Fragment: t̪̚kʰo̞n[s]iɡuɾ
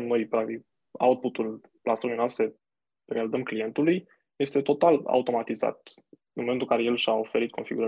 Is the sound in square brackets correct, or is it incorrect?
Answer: incorrect